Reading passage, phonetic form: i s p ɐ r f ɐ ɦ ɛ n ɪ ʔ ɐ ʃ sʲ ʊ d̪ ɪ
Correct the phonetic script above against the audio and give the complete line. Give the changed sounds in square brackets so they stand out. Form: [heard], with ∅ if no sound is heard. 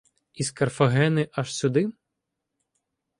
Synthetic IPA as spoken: i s [k] ɐ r f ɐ ɦ ɛ n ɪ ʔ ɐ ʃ sʲ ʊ d̪ ɪ